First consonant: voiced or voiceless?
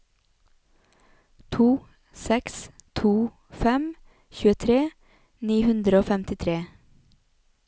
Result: voiceless